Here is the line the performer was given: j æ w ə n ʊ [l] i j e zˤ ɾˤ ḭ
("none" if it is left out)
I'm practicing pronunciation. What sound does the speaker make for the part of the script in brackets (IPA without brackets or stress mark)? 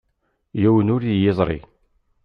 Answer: ɾ